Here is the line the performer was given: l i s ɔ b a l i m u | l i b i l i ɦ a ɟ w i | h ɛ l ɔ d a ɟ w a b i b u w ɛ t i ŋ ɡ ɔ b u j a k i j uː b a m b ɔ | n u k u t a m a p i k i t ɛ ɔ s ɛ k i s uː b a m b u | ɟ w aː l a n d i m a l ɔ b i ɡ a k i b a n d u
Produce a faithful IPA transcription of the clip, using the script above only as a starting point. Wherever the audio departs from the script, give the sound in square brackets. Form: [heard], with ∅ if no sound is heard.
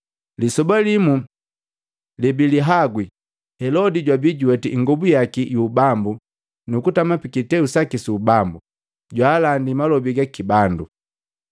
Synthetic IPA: l i s ɔ b a l i m u | l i b i l i ɦ a [ɡ] w i | h ɛ l ɔ d [i] ɟ w a b i [ɟ] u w ɛ t i ŋ ɡ ɔ b u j a k i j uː b a m b [u] | n u k u t a m a p i k i t ɛ [u] s [a] k i s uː b a m b u | ɟ w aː l a n d i m a l ɔ b i ɡ a k i b a n d u

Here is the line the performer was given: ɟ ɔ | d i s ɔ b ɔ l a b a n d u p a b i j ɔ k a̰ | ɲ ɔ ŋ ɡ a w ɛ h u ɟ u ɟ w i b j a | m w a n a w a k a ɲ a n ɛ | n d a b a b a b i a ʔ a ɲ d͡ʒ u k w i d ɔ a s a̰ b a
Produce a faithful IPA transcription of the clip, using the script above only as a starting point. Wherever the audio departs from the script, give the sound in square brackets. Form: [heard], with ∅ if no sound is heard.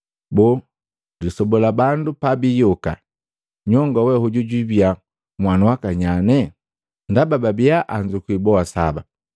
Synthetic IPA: [b] ɔ | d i s ɔ b ɔ l a b a n d u p a b i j ɔ k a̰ | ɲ ɔ ŋ ɡ a w ɛ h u ɟ u ɟ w i b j a | m w a n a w a k a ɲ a n ɛ | n d a b a b a b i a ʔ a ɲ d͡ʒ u k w i [b] ɔ a s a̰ b a

